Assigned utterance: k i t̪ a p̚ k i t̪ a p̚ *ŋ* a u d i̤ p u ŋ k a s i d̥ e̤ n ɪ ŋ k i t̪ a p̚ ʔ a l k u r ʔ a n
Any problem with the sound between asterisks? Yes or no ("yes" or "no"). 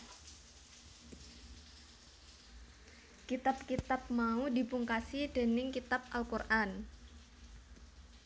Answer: yes